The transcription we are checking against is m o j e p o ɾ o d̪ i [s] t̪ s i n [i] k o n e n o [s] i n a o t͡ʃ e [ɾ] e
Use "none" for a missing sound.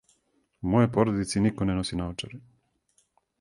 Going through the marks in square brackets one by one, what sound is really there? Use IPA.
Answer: none, i, s, ɾ

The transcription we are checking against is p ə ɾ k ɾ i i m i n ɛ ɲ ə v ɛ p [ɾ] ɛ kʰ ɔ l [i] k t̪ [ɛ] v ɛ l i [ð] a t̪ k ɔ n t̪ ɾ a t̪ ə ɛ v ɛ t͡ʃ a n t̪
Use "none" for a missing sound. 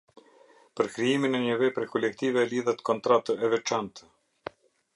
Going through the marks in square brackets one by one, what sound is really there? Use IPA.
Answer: ɾ, ɛ, i, ð

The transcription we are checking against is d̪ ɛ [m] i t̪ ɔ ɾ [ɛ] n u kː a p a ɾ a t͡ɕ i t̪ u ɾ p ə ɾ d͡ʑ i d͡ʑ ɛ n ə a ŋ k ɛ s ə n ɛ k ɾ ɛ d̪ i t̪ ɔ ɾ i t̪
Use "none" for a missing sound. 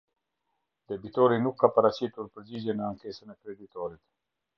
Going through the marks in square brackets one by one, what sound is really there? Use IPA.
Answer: b, i

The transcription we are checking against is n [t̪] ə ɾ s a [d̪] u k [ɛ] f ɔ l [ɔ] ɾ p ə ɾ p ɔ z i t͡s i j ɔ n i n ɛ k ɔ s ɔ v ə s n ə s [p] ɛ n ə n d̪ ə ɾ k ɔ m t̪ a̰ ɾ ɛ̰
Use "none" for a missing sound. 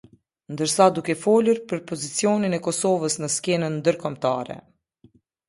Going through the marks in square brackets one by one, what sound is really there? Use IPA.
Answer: d̪, d̪, ɛ, u, k

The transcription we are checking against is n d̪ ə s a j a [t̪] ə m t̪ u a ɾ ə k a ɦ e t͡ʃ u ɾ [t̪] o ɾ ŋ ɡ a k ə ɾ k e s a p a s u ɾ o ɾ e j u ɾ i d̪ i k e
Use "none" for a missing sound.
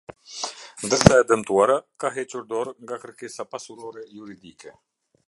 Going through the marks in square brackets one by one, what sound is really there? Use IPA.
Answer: d̪, d̪

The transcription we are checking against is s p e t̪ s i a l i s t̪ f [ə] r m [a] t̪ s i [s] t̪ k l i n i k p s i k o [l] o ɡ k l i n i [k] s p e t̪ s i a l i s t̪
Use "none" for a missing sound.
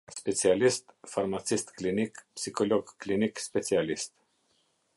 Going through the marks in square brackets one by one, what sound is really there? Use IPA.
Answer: a, a, s, l, k

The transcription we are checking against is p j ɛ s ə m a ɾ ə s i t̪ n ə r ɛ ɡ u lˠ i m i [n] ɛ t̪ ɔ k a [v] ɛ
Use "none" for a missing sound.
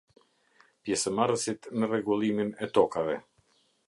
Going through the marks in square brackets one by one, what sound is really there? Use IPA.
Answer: n, v

